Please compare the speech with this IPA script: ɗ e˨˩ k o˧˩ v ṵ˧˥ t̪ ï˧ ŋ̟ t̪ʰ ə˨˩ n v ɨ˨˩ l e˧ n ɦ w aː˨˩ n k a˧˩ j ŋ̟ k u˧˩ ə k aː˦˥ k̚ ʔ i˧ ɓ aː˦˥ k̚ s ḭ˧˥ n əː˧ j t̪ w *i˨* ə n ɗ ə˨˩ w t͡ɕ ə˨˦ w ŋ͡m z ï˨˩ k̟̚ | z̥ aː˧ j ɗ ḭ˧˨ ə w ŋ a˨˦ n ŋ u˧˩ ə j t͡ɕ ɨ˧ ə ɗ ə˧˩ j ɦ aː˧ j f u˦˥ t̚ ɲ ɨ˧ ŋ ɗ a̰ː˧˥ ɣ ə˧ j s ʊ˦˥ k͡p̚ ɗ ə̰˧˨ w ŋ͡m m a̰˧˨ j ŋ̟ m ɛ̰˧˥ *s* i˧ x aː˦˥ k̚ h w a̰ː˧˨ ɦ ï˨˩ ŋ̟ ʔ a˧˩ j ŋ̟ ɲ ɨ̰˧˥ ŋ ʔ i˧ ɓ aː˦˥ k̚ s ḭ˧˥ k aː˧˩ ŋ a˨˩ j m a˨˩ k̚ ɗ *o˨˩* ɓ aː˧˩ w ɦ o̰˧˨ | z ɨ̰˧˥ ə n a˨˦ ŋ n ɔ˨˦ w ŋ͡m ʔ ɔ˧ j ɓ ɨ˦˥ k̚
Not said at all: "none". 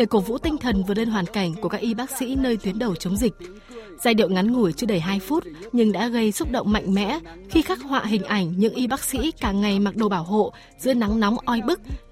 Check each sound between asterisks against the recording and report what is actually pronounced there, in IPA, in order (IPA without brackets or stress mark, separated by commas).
i˨˦, x, o˨˩